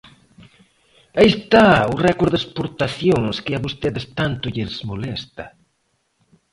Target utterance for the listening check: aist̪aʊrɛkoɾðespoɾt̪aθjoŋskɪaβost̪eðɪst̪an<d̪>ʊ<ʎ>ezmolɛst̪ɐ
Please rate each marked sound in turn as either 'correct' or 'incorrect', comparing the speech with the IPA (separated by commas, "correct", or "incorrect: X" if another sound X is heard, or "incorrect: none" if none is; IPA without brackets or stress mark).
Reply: incorrect: t̪, correct